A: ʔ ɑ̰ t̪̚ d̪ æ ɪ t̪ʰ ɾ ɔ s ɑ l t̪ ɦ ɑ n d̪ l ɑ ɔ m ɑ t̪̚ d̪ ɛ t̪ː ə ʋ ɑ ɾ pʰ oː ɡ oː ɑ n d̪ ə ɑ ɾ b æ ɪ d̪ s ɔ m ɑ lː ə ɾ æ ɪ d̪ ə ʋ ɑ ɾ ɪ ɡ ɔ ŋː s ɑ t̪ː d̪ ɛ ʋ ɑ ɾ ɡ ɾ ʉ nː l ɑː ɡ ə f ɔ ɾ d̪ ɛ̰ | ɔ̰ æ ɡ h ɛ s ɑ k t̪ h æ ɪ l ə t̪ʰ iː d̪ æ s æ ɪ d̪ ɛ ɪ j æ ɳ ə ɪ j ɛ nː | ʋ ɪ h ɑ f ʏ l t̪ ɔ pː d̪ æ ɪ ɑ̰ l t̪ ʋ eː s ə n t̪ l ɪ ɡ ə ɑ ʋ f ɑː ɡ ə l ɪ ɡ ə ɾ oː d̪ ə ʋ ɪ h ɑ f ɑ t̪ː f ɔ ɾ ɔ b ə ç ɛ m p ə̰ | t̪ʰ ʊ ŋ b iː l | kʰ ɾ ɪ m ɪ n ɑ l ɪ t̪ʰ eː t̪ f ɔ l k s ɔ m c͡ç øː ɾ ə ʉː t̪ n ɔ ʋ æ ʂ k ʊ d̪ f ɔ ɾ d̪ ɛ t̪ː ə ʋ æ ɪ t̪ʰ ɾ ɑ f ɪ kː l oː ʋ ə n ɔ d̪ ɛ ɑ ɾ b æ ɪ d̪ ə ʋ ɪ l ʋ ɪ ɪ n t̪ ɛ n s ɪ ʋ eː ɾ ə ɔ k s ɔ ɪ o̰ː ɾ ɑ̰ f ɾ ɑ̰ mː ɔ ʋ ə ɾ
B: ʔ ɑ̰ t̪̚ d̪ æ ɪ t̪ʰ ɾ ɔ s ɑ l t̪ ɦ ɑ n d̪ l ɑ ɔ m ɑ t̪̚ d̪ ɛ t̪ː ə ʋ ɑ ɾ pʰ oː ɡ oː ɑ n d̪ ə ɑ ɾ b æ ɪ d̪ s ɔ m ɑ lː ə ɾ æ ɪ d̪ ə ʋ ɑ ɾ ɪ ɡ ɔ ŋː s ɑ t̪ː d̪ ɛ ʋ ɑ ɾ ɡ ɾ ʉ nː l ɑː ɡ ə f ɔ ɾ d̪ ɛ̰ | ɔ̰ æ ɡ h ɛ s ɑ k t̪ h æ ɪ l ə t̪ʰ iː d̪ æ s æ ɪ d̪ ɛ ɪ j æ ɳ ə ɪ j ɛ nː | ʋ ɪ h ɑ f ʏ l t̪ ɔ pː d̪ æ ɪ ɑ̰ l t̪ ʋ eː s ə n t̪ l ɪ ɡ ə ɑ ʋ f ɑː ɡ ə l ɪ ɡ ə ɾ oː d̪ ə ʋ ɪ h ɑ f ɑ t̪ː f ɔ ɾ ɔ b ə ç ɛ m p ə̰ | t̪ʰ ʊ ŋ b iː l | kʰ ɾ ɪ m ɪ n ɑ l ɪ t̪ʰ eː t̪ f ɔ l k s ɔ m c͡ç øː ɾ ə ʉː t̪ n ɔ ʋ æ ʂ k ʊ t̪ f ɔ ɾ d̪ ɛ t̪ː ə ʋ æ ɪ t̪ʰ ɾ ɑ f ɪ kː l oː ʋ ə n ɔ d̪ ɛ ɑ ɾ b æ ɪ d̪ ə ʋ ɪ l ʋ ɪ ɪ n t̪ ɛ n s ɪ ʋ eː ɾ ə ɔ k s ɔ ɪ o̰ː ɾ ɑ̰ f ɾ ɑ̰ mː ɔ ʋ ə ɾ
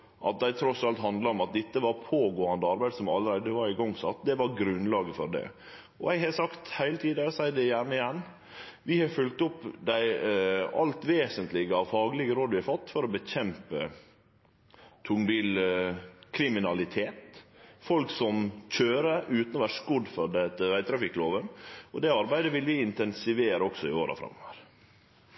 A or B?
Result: A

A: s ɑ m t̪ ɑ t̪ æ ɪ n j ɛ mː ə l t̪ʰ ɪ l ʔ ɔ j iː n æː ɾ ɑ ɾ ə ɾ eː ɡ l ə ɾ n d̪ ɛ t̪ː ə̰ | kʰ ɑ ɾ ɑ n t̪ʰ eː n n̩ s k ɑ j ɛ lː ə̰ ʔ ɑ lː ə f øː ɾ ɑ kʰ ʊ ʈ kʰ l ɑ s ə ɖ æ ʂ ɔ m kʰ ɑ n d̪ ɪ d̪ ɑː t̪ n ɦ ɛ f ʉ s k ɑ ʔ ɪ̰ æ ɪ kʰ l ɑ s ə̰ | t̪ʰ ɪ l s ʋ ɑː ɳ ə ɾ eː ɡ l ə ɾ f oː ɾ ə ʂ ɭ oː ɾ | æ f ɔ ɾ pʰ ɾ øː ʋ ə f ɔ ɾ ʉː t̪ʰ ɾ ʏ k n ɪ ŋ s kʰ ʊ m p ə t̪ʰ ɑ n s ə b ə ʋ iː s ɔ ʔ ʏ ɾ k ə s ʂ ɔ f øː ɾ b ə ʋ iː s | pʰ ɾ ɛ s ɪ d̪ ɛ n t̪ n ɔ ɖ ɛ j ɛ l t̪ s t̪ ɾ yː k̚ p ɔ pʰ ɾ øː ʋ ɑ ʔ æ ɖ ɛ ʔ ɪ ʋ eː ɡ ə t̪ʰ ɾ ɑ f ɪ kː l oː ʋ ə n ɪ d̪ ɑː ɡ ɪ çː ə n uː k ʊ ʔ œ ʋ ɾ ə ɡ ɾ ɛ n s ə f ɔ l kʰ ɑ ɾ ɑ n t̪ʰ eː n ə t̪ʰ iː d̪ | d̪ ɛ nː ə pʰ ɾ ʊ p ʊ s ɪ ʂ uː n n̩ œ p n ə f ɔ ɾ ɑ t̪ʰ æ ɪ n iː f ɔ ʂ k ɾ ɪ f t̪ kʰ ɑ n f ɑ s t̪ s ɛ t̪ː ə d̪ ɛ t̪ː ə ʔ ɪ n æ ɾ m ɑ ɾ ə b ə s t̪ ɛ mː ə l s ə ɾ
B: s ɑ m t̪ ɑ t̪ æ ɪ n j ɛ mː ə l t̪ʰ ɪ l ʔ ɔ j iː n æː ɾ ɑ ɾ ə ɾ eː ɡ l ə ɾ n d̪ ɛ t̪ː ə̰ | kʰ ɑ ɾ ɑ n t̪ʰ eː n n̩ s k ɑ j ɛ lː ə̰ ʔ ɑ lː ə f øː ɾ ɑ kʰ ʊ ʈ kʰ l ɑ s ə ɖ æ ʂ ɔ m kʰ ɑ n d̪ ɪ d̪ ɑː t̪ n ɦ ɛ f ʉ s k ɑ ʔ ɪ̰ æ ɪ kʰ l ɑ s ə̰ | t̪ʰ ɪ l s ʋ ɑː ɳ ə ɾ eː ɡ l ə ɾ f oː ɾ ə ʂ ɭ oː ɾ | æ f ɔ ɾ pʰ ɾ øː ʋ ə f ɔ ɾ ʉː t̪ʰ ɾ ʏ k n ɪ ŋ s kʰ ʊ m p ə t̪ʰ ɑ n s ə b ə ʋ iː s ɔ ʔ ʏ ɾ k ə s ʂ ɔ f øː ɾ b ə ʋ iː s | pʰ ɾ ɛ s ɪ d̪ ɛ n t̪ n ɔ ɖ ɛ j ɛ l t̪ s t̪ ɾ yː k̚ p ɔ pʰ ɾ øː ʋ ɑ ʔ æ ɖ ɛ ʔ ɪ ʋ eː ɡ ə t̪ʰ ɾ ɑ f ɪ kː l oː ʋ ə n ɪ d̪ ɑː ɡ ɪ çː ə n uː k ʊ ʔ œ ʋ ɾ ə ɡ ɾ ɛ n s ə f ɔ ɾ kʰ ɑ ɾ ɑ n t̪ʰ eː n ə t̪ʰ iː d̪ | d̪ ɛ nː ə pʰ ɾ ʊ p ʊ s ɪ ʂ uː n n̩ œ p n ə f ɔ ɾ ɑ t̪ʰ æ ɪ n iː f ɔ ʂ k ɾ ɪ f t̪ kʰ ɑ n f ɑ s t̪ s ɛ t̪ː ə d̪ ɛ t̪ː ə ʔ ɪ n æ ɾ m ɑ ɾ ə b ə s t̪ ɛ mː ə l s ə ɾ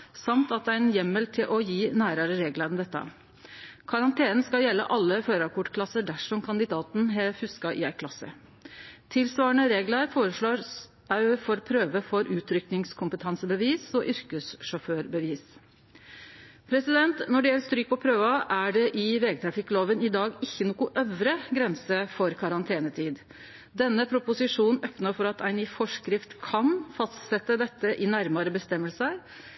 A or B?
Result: B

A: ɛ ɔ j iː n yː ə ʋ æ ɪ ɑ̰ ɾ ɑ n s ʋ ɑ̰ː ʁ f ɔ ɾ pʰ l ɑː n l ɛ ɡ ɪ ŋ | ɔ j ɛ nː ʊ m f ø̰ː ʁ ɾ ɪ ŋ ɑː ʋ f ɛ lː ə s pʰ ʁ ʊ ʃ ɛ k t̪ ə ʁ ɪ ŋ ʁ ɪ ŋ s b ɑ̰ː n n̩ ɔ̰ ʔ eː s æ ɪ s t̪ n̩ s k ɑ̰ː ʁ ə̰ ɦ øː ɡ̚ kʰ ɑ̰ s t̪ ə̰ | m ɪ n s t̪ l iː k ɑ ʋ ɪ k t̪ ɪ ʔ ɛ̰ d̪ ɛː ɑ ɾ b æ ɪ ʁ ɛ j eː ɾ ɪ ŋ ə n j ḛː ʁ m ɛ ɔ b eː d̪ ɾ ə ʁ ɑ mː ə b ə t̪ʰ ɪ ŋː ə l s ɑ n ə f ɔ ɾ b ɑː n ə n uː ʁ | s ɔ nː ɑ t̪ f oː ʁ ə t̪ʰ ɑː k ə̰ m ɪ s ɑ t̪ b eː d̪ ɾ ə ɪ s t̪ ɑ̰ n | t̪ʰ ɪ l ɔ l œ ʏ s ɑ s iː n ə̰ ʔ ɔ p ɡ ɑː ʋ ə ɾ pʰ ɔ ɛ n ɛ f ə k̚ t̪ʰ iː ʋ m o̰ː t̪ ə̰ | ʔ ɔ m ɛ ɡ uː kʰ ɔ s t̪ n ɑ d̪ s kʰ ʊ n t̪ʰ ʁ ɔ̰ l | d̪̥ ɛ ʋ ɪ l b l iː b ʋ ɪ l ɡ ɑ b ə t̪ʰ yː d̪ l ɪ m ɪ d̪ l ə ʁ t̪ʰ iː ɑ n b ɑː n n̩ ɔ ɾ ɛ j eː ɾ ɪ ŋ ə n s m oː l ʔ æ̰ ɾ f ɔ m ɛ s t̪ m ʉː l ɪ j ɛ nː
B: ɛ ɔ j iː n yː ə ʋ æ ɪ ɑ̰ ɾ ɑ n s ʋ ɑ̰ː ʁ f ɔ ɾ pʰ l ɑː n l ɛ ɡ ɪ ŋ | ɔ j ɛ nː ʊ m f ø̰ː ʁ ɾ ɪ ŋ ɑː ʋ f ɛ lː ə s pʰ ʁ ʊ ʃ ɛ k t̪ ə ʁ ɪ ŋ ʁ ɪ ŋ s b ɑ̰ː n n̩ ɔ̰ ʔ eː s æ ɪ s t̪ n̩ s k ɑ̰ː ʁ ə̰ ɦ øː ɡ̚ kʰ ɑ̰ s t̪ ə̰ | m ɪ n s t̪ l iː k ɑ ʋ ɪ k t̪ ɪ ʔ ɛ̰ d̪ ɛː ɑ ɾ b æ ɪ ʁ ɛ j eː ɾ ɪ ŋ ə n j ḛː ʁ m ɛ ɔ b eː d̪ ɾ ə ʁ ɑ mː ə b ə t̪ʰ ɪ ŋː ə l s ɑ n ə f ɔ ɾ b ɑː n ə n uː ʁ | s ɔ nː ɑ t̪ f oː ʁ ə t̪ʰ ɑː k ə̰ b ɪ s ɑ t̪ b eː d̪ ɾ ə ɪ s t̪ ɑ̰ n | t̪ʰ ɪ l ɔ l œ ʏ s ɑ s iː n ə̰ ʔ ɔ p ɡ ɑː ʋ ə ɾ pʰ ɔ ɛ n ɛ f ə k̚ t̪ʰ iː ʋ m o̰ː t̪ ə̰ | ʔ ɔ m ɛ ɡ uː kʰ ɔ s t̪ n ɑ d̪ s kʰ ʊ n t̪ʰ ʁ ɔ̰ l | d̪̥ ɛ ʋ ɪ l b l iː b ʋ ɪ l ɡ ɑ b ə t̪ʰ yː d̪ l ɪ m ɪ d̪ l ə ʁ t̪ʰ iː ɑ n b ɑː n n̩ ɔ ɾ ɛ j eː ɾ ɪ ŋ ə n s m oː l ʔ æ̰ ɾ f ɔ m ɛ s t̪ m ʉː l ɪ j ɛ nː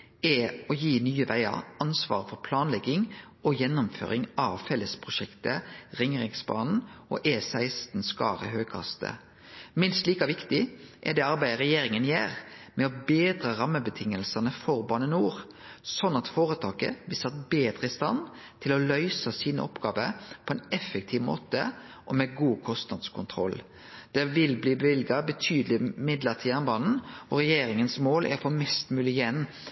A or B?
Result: B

